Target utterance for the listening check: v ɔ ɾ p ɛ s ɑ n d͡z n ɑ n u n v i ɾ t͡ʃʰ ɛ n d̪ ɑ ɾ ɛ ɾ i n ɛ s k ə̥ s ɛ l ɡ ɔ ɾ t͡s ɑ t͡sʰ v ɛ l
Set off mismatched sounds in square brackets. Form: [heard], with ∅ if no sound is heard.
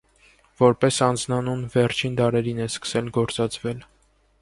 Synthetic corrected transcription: v ɔ ɾ p ɛ s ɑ n d͡z n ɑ n u n v [ɛ] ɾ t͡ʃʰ [i] n d̪ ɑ ɾ ɛ ɾ i n ɛ s k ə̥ s ɛ l ɡ ɔ ɾ t͡s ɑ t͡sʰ v ɛ l